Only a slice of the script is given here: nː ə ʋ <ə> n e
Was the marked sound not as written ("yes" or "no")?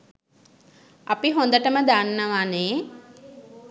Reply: yes